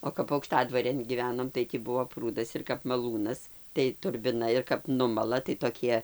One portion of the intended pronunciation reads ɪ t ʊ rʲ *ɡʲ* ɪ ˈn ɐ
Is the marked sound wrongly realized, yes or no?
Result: yes